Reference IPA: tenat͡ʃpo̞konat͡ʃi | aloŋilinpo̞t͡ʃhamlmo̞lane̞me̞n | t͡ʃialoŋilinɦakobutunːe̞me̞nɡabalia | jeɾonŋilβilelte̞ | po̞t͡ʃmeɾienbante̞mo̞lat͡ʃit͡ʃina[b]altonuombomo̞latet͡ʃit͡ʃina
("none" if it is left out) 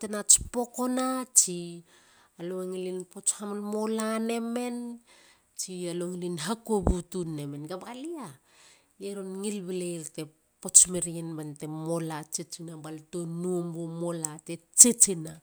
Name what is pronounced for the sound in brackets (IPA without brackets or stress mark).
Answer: b